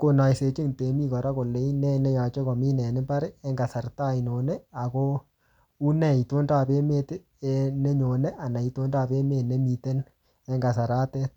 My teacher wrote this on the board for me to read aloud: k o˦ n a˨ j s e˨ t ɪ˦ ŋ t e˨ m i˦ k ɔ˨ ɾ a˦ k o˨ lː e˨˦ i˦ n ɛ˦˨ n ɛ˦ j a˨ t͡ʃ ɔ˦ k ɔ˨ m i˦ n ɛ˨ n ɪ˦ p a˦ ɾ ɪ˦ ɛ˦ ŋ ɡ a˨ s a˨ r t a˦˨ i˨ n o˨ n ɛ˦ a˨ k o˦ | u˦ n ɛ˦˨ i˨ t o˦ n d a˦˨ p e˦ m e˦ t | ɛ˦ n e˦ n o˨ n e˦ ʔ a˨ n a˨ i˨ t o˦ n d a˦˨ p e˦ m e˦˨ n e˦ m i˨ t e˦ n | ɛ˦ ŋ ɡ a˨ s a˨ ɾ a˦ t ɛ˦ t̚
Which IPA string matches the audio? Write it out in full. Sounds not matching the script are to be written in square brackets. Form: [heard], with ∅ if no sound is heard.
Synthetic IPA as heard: k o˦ n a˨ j s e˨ [t͡ʃ] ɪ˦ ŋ t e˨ m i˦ k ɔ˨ ɾ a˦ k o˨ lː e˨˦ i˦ n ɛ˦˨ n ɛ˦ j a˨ t͡ʃ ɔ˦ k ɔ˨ m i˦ n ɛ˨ n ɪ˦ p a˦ ɾ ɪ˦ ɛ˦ ŋ ɡ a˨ s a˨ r t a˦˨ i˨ n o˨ n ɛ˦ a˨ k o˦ | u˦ n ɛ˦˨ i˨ t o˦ n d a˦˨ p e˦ m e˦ t | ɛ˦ n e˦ [ɲ] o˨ n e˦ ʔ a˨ n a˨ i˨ t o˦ n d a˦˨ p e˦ m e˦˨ n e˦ m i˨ t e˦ n | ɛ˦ ŋ ɡ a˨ s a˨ ɾ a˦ t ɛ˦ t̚